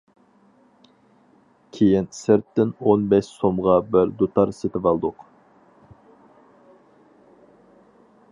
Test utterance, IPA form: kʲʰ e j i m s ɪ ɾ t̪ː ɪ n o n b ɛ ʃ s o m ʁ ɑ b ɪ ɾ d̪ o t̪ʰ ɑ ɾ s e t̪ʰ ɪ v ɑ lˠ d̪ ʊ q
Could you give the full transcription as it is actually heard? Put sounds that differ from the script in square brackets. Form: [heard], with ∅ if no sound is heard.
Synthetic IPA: kʲʰ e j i [n] s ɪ ɾ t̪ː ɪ n o n b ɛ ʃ s o m ʁ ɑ b ɪ ɾ d̪ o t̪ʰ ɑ ɾ s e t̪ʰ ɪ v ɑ lˠ d̪ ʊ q